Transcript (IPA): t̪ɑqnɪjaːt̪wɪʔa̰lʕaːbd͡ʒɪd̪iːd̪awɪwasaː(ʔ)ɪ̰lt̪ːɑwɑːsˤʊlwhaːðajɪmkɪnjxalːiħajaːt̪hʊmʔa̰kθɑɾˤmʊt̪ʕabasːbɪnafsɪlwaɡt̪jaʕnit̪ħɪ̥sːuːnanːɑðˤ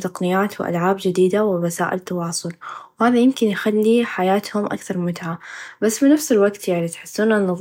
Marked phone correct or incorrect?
correct